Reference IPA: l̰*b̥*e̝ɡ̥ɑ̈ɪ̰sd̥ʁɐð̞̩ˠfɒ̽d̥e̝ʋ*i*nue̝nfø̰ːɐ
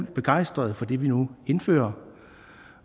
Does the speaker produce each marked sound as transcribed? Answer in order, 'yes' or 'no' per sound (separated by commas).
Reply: yes, yes